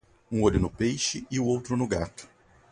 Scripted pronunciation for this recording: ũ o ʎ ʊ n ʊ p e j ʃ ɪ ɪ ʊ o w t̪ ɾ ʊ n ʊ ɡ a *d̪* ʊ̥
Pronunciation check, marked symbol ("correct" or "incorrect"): incorrect